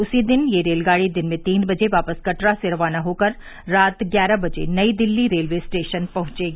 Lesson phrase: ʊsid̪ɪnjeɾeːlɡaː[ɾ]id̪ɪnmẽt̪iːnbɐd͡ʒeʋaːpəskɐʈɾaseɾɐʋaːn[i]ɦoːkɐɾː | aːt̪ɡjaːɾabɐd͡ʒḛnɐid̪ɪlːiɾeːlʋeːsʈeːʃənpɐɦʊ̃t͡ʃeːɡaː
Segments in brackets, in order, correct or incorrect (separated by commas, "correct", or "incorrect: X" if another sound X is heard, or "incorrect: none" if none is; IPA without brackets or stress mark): incorrect: ɽ, incorrect: a